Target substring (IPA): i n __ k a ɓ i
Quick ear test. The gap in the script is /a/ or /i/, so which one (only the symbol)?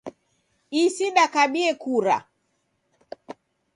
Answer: a